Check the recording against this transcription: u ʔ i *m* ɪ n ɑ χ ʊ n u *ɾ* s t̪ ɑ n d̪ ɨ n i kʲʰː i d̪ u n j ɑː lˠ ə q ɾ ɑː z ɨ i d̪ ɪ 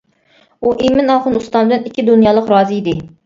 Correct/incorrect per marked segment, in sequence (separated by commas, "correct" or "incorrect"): correct, incorrect